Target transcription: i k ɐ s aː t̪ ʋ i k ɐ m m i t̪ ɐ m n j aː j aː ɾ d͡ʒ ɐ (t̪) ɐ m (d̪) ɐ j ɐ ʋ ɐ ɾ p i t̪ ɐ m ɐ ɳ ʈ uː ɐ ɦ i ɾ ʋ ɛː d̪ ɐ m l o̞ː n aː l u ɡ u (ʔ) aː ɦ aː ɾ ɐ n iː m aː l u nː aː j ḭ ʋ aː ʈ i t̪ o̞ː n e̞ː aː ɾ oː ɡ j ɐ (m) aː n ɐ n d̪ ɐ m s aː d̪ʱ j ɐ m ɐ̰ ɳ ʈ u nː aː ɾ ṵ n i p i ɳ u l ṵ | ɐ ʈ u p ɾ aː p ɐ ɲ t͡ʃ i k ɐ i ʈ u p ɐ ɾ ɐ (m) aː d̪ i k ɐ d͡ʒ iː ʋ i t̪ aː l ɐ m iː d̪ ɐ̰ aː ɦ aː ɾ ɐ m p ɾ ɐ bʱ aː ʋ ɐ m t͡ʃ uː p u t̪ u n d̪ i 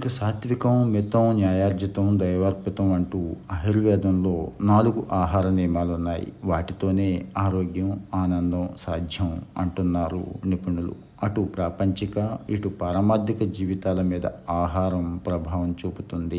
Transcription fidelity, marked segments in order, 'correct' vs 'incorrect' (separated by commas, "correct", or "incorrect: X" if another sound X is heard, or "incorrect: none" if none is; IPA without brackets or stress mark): correct, correct, correct, correct, correct